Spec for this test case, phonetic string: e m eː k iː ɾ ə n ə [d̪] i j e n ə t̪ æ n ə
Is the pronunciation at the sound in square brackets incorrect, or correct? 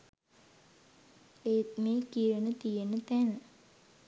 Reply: incorrect